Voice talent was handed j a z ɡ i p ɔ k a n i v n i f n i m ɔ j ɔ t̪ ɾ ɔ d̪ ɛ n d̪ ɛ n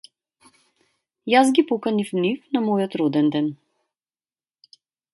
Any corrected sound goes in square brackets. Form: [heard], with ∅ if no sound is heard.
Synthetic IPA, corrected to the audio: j a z ɡ i p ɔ k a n i [f] n i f n [a] m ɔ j ɔ t̪ ɾ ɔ d̪ ɛ n d̪ ɛ n